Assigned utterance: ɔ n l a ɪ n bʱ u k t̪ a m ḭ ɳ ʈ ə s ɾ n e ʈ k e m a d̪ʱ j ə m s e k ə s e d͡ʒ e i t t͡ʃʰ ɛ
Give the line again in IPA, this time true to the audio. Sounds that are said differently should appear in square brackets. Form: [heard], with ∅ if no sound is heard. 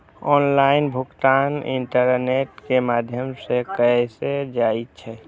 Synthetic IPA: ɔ n l a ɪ n bʱ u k t̪ a [n] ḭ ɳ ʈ ə [∅] ɾ n e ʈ k e m a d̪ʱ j ə m s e k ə s e d͡ʒ [a] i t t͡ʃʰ ɛ